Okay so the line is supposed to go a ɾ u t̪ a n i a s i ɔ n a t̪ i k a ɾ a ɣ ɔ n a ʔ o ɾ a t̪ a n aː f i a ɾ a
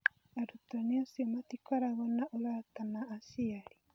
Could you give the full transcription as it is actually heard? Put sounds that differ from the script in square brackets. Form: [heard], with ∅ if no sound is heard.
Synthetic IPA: a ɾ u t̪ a n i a s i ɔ [m] a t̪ i k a ɾ a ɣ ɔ n a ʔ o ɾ a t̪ a n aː [s] i a ɾ [i]

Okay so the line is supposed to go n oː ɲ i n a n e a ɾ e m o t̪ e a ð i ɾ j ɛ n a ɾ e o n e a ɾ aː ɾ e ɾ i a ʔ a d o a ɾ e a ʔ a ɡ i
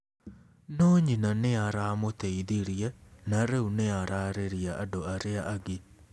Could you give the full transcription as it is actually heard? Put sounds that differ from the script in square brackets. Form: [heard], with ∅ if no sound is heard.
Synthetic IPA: n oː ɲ i n a n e a ɾ [a] m o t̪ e [i] ð i ɾ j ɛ n a ɾ e [u] n e a ɾ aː ɾ e ɾ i a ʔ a d o a ɾ e a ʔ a ɡ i

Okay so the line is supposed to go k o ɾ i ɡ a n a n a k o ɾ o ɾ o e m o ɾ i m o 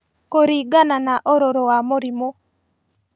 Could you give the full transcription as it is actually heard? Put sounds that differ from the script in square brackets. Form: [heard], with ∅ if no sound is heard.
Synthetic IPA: k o ɾ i ɡ a n a n a [ʔ] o ɾ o ɾ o [a] m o ɾ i m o

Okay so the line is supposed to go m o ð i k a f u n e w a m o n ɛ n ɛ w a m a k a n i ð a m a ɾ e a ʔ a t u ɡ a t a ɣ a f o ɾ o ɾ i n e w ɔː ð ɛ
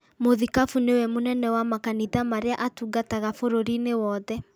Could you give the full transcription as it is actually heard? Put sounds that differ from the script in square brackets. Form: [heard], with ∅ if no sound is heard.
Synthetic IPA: m o ð i k a f u n e w [ɛ] m o n ɛ n ɛ w a m a k a n i ð a m a ɾ e a ʔ a t u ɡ a t a ɣ a f o ɾ o ɾ i n e w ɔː ð ɛ

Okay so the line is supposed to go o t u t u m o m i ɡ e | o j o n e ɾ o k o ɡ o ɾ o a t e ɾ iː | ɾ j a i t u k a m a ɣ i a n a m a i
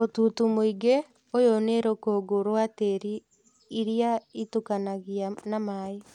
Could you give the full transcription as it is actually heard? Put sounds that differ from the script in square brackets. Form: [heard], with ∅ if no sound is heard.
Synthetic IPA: o t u t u m o [∅] i ɡ e | o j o n e ɾ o k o ɡ o ɾ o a t e ɾ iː | ɾ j a i t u k a [n] a ɣ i a n a m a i

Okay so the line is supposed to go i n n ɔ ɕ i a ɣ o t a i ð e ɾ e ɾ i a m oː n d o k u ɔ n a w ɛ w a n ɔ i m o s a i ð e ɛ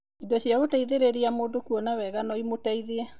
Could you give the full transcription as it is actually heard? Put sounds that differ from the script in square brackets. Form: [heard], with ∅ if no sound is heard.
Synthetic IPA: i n [d] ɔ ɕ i a ɣ o t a i ð e ɾ e ɾ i a m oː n d o k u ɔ n a w ɛ [ɣ] a n ɔ i m o [t] a i ð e ɛ

